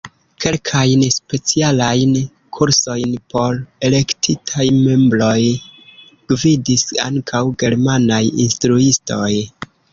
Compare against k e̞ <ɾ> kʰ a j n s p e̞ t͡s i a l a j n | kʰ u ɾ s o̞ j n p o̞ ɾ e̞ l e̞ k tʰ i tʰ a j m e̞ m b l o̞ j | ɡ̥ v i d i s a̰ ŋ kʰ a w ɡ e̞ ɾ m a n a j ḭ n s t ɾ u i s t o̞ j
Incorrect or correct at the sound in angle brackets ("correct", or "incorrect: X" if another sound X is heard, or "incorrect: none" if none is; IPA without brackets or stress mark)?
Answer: incorrect: l